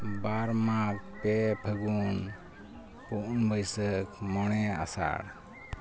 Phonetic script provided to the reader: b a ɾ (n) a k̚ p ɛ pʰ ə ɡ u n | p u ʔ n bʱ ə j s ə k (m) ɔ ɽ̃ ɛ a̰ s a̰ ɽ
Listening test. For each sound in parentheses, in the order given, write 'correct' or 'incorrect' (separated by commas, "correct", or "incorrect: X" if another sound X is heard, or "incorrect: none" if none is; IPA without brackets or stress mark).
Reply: incorrect: m, correct